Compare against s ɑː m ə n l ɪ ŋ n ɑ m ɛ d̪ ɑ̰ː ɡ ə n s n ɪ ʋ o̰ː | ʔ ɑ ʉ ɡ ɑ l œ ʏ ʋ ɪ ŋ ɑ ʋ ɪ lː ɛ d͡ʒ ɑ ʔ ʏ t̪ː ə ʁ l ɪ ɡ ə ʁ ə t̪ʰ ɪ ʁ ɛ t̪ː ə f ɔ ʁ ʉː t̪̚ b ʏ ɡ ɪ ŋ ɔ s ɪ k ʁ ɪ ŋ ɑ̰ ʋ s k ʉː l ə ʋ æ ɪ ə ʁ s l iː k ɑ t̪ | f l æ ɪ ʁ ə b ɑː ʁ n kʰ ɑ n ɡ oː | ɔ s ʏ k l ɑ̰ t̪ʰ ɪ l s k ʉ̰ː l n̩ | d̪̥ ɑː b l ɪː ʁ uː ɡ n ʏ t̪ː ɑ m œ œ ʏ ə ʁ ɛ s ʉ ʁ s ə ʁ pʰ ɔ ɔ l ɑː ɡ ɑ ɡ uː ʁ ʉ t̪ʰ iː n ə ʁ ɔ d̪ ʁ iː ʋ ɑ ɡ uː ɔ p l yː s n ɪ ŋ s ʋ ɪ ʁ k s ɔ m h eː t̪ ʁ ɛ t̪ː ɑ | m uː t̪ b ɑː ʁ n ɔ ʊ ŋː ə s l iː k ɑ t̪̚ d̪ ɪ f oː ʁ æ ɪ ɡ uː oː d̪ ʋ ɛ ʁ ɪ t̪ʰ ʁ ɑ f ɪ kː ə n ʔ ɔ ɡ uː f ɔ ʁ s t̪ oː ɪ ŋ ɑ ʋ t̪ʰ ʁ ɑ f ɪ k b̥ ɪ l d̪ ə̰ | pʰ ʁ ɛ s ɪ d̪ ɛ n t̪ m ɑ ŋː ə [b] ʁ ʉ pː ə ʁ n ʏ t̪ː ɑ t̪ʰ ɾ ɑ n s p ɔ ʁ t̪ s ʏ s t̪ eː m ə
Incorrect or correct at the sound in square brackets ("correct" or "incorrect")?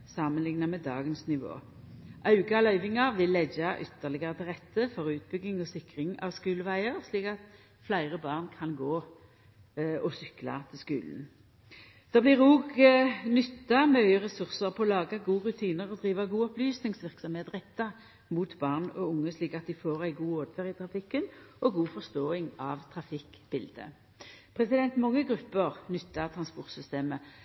incorrect